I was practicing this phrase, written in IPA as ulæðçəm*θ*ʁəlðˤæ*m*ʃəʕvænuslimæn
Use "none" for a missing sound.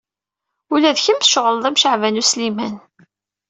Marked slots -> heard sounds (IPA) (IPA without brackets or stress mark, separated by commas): ʃ, m